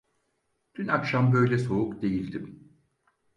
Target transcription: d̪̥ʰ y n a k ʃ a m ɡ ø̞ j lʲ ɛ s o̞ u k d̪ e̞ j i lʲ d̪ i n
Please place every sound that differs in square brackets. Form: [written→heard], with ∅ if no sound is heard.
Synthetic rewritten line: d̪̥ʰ y n a k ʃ a m [ɡ→b] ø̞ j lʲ ɛ s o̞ u k d̪ e̞ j i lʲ d̪ i [n→m]